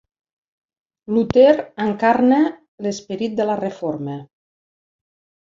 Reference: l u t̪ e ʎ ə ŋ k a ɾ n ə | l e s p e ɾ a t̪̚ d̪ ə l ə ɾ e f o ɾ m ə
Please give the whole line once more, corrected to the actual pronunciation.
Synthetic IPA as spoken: l u t̪ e ɾ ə ŋ k a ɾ n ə | l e s p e ɾ i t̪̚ d̪ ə l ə r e f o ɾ m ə